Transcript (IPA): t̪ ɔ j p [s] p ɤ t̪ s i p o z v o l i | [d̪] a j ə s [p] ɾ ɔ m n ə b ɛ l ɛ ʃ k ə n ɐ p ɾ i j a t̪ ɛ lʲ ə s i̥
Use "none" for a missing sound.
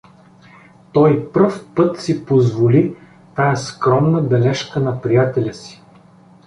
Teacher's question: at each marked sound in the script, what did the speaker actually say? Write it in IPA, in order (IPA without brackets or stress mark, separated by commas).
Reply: f, t̪, k